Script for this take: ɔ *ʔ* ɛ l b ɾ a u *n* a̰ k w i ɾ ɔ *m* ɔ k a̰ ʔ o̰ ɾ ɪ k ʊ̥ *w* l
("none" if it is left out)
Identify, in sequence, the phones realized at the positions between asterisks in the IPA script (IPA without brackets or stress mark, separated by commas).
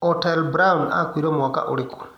t, n, m, none